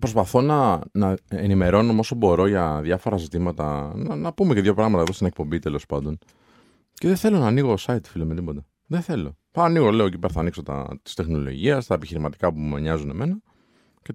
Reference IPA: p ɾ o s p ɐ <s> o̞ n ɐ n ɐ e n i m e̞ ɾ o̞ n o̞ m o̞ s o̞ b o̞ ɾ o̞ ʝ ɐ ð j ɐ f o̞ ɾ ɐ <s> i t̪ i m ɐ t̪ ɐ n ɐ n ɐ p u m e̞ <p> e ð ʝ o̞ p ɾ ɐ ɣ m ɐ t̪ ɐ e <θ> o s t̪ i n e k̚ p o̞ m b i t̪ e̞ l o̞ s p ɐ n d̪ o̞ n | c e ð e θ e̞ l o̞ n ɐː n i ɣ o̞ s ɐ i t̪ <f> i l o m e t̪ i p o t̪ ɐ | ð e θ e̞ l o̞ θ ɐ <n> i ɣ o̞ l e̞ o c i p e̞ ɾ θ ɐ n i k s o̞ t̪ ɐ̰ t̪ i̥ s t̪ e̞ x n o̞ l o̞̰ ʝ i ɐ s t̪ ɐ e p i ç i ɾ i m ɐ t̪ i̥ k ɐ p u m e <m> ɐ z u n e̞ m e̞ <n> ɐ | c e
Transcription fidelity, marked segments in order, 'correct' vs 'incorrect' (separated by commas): incorrect, incorrect, incorrect, incorrect, correct, correct, incorrect, correct